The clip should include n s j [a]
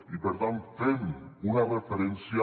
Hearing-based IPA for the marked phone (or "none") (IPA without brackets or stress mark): a